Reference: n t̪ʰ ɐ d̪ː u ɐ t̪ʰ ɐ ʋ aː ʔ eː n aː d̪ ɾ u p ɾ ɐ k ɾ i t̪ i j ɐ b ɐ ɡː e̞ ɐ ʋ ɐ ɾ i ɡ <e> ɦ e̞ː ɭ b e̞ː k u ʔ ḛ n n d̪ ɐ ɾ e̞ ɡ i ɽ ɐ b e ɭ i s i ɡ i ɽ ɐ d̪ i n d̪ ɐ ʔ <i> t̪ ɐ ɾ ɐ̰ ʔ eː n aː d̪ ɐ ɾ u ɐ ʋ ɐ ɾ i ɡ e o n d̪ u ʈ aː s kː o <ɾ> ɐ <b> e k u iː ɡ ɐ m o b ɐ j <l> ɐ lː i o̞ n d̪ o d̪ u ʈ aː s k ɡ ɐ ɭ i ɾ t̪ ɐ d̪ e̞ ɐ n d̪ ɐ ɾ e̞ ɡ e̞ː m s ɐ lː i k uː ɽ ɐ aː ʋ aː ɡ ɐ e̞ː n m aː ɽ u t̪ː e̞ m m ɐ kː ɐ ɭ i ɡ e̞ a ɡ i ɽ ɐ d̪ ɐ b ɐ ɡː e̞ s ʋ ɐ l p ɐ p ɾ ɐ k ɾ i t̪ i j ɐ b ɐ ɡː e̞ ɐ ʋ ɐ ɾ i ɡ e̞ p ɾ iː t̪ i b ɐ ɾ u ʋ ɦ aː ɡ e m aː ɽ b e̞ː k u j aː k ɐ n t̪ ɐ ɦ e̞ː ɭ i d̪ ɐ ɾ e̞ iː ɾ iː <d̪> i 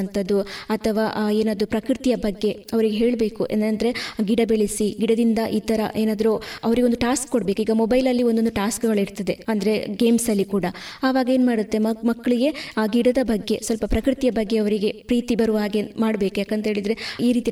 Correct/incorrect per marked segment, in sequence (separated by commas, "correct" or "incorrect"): correct, incorrect, incorrect, correct, correct, incorrect